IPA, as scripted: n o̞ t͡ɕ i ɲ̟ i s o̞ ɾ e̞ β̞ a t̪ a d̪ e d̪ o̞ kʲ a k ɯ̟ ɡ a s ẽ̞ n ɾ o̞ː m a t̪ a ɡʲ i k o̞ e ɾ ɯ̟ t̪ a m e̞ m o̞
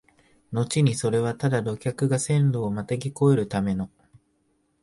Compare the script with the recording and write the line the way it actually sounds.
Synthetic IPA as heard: n o̞ t͡ɕ i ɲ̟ i s o̞ ɾ e̞ β̞ a t̪ a d̪ a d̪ o̞ kʲ a k ɯ̟ ɡ a s ẽ̞ n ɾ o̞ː m a t̪ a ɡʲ i k o̞ e ɾ ɯ̟ t̪ a m e̞ n o̞